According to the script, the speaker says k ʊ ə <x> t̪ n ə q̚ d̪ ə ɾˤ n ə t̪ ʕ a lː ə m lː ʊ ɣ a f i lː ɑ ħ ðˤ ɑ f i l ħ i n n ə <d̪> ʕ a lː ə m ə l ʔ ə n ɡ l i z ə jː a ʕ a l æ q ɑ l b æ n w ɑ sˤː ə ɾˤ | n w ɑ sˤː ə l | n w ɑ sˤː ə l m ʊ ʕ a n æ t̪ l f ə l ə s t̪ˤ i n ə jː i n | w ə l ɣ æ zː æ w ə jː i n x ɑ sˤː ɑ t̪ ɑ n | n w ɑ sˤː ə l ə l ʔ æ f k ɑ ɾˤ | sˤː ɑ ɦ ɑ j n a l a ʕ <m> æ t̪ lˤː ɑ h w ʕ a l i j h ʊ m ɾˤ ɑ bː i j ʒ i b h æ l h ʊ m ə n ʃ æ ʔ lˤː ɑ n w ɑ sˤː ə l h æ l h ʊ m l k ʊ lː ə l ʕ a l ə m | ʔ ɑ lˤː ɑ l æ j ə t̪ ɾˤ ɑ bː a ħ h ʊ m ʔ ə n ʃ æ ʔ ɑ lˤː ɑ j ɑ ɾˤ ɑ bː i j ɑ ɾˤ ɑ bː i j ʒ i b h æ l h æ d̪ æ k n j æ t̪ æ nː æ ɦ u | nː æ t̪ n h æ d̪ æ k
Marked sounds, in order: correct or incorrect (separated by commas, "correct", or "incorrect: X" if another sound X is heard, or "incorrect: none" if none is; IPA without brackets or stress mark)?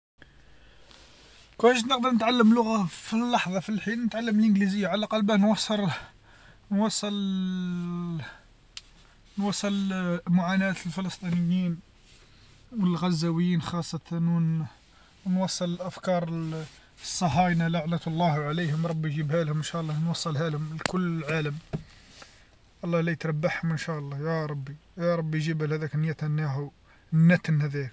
incorrect: ʃ, incorrect: t̪, incorrect: n